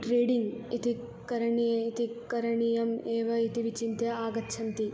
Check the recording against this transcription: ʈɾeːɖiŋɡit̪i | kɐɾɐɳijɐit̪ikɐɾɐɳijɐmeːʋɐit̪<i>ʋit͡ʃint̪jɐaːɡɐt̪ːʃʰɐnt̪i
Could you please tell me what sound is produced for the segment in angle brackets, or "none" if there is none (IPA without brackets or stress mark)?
i